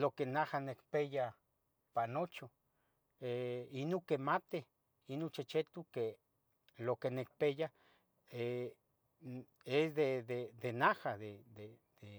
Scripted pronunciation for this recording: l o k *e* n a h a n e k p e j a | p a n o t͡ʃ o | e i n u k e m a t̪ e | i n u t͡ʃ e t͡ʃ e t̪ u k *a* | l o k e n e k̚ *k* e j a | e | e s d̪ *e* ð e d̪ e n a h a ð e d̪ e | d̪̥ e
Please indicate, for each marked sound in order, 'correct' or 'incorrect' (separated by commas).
correct, incorrect, incorrect, correct